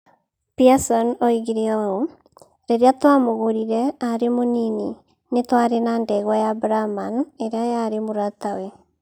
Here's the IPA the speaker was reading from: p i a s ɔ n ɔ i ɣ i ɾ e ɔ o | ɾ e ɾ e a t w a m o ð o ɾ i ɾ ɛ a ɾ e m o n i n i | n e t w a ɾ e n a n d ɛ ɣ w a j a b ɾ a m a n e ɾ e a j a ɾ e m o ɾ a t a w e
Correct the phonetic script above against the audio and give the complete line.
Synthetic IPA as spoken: p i a s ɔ n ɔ i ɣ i ɾ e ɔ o | ɾ e ɾ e a t w a m o ɣ o ɾ i ɾ ɛ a ɾ e m o n i n i | n e t w a ɾ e n a n d ɛ ɣ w a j a b ɾ a m a n e ɾ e a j a ɾ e m o ɾ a t a w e